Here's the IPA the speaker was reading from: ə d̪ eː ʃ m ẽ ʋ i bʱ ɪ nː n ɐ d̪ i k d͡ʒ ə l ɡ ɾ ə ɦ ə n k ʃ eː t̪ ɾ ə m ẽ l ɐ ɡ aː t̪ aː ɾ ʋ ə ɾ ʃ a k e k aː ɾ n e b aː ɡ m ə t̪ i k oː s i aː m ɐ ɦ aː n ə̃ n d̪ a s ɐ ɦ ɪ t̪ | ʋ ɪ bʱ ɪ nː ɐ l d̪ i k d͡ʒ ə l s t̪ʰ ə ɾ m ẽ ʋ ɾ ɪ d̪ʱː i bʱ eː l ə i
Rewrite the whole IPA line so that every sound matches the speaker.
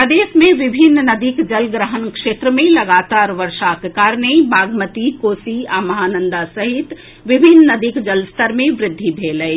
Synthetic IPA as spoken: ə d̪ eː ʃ m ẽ ʋ ɪ bʱ ɪ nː n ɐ d̪ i k d͡ʒ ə l ɡ ɾ ə ɦ ə n k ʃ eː t̪ ɾ ə m ẽ l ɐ ɡ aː t̪ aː ɾ ʋ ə ɾ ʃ a k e k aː ɾ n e b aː ɡ m ə t̪ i k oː s i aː m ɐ ɦ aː n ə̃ n d̪ a s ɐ ɦ ɪ t̪ | ʋ ɪ bʱ ɪ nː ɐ d̪ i k d͡ʒ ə l s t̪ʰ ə ɾ m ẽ ʋ ɾ ɪ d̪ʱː i bʱ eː l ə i